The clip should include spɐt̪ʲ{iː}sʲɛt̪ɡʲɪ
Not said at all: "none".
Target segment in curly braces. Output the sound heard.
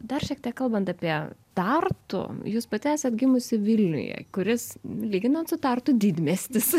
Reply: æː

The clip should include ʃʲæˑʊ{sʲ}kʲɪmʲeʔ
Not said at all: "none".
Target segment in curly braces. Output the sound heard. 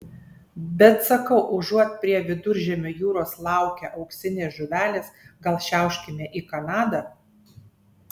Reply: ʃʲ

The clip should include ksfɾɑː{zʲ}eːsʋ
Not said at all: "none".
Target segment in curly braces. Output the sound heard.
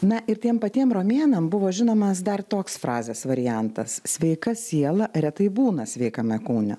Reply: zʲ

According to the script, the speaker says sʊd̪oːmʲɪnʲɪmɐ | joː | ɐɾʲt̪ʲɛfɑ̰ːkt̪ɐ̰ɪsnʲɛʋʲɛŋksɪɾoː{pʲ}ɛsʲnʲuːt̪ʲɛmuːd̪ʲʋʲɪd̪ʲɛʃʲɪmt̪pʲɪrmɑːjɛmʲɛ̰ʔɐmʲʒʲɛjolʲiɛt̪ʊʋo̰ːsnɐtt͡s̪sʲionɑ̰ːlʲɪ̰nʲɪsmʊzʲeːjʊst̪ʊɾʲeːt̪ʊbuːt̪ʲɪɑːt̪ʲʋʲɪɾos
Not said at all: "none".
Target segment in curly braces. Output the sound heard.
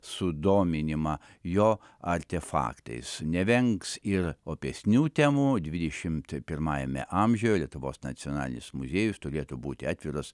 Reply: pʲ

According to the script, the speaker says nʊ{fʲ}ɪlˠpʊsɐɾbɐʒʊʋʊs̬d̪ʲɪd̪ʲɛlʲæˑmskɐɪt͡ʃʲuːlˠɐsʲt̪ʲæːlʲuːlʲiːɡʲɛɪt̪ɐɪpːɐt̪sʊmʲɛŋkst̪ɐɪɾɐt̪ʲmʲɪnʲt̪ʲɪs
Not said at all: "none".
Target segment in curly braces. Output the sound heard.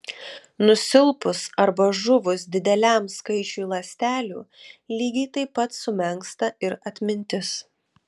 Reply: sʲ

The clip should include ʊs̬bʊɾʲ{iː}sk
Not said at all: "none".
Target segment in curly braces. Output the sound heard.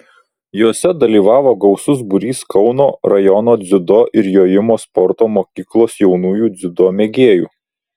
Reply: iː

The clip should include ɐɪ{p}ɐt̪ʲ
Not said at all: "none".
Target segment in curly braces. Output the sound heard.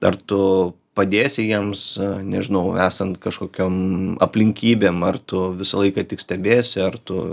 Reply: k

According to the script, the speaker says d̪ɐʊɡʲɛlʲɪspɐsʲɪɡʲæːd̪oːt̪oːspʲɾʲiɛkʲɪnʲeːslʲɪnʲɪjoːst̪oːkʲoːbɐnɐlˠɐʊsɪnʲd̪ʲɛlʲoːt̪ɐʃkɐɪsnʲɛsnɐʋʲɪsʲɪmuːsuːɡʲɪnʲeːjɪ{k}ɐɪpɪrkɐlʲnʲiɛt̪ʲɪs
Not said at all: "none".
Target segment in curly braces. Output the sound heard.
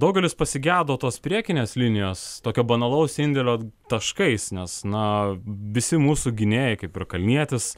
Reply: k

